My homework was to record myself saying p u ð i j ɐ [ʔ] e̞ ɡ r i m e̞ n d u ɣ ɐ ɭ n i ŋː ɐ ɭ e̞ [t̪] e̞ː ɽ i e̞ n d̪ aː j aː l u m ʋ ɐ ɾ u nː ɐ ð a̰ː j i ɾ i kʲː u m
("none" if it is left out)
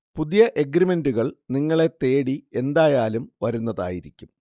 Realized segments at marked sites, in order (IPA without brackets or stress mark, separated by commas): ʔ, t̪